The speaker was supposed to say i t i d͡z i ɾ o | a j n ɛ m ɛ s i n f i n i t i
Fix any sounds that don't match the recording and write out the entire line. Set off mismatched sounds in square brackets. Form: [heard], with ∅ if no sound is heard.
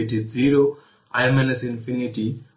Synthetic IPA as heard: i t i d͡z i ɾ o | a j [m] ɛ [n] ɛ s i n f i n i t i